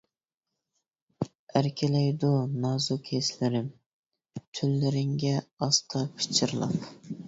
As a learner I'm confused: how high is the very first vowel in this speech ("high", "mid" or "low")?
low